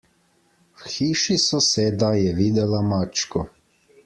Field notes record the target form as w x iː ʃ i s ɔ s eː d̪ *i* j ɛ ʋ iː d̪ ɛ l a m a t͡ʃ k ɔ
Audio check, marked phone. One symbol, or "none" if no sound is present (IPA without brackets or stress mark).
a